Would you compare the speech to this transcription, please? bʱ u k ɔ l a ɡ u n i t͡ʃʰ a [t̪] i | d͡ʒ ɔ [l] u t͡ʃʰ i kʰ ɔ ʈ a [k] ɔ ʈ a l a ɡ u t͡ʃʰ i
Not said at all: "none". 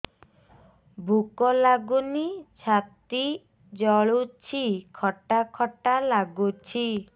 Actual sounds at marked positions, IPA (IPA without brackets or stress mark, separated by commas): t̪, ɭ, kʰ